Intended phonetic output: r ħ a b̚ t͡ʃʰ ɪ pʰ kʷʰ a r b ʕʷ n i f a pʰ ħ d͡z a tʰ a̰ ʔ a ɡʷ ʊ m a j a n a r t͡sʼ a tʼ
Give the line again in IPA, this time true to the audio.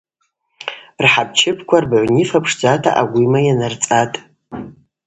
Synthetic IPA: r ħ a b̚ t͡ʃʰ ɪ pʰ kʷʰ a r b ʕʷ n i f a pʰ ʂ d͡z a tʰ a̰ ʔ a ɡʷ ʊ m a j a n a r t͡sʼ a tʼ

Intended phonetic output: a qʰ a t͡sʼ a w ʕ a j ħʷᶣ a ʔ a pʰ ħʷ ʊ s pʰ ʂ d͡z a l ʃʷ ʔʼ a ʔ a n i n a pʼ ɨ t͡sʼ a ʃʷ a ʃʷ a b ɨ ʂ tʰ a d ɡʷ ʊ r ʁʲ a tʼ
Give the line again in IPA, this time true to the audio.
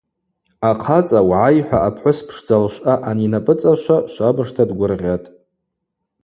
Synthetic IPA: a qʰ a t͡sʼ a w ʕ a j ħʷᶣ a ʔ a pʰ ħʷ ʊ s pʰ ʂ d͡z a l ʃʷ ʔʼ a ʔ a n i n a pʼ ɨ t͡sʼ a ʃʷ a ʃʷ a b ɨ ʂ tʰ a d ɡʷ ʊ r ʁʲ a tʼ

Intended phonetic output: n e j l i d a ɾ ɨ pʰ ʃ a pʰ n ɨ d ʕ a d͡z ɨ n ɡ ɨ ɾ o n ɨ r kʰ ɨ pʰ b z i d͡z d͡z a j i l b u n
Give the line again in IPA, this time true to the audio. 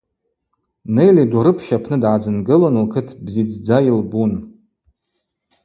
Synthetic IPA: n e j l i d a ɾ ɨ pʰ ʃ a pʰ n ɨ d ʕ a d͡z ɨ n ɡ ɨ l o n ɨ l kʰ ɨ tʰ b z i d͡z d͡z a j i l b u n

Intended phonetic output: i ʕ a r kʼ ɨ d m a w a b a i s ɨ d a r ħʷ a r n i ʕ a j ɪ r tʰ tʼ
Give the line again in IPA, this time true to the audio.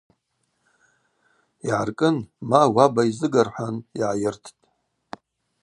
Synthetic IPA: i ʕ a r kʼ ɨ n m a w a b a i z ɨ ɡ a r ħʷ a n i ʕ a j ɪ r tʰ tʼ

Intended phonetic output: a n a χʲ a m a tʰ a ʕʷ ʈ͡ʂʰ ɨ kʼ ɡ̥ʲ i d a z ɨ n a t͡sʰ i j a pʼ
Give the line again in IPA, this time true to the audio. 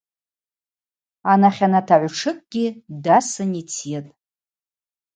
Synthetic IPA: a n a χʲ a n a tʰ a ʕʷ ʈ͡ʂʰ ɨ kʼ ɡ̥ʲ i d a s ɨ n i t͡sʰ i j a tʼ

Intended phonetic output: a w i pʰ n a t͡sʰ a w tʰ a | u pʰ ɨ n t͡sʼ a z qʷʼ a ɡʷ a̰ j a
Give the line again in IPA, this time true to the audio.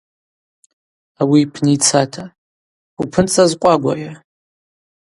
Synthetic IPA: a w i pʰ n i t͡sʰ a tʰ a | u pʰ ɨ n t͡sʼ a z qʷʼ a ɡʷ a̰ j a

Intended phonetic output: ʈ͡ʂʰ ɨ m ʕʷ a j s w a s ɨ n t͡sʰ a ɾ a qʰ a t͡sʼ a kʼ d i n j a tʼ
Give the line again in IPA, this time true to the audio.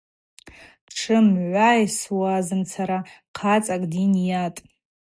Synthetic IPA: ʈ͡ʂʰ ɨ m ʕʷ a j s w a z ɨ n t͡sʰ a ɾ a qʰ a t͡sʼ a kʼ d i n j a tʼ

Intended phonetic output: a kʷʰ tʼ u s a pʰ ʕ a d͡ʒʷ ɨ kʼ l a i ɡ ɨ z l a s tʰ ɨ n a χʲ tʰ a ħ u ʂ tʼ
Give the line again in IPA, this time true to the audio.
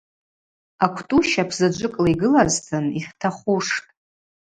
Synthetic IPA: a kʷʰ tʼ u ʃ a pʰ z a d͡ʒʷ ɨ kʼ l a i ɡ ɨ l a z tʰ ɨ n i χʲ tʰ a χ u ʂ tʼ

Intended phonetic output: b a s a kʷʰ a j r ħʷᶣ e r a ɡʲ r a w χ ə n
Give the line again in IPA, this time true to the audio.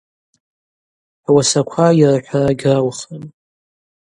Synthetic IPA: w a s a kʷʰ a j r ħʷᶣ a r a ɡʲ r a w χ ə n

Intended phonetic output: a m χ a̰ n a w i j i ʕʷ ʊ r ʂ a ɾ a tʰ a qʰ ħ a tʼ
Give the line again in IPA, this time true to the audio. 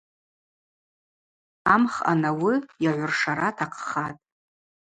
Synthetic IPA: a m χ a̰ n a w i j a ʕʷ ʊ r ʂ a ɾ a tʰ a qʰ χ a tʼ

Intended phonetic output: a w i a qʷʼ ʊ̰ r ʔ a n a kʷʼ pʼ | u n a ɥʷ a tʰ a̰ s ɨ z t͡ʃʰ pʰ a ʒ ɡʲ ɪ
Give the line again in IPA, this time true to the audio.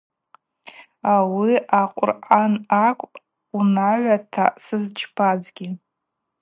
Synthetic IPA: a w i a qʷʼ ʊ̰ r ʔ a n a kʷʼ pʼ | u n a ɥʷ a tʰ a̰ s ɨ z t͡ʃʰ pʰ a z ɡʲ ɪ

